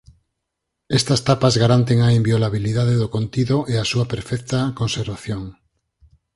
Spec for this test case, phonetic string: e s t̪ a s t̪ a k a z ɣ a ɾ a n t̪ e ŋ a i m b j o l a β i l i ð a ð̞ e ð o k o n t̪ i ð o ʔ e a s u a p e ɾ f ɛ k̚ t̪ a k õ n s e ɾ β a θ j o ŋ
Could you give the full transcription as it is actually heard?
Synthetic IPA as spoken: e s t̪ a s t̪ a p a z ɣ a ɾ a n t̪ e ŋ a i m b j o l a β i l i ð a ð̞ e ð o k o n t̪ i ð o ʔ e a s u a p e ɾ f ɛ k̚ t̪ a k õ n s e ɾ β a θ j o ŋ